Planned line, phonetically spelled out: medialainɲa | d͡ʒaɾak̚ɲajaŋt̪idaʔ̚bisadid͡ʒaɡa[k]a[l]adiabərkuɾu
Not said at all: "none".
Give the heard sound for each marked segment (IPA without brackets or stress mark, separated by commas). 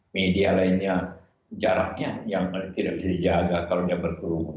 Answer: k, l